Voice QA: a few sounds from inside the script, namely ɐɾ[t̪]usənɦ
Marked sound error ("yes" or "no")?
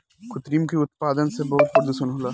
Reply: yes